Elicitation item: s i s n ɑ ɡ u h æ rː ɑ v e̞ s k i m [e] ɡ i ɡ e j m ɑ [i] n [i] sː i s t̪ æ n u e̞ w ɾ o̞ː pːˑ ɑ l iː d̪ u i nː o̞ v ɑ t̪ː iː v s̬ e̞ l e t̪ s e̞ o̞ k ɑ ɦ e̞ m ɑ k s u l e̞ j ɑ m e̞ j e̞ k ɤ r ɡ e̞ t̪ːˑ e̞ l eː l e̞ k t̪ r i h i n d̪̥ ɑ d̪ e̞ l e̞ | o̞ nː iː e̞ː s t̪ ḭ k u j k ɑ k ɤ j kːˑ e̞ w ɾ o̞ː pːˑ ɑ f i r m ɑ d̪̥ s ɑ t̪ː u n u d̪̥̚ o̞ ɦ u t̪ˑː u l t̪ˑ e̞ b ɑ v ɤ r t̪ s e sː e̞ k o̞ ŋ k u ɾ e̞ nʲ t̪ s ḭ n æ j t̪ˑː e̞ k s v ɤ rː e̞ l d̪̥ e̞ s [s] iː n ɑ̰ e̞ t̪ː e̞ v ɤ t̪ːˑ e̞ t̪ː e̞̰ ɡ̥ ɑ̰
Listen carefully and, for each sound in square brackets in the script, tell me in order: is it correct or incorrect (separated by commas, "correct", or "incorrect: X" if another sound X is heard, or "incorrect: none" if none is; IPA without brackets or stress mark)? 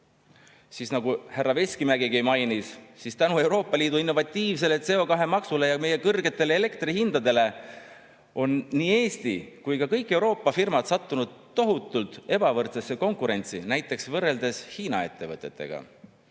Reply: incorrect: æ, incorrect: j, correct, incorrect: h